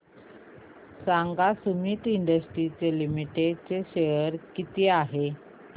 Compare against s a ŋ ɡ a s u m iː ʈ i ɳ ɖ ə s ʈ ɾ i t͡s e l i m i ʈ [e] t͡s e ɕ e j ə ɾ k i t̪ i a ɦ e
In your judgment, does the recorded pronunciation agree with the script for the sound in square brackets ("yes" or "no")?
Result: yes